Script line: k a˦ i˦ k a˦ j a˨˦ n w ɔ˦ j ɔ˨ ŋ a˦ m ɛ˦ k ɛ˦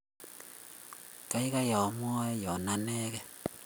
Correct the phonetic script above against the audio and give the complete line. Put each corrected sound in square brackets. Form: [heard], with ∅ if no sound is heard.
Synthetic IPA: k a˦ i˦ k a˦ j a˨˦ [m] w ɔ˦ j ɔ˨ [n] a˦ [n] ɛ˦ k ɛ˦